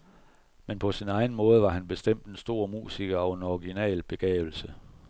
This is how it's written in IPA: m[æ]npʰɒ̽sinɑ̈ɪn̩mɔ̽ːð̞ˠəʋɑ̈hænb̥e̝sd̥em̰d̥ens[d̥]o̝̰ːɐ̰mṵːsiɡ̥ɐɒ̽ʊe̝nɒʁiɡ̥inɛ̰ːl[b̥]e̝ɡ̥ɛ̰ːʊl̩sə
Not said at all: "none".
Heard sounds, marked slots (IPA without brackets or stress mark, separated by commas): e, d̥, b̥